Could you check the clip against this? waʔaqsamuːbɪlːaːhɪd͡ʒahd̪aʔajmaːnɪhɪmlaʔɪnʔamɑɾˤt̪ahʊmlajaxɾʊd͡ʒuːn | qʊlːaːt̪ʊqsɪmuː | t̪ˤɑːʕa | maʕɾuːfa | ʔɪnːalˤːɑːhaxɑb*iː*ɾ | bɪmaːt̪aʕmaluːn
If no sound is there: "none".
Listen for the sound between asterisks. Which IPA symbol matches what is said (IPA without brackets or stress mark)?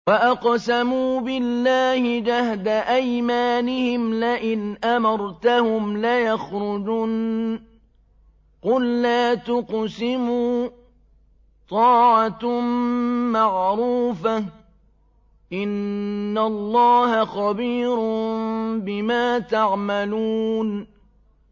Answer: iː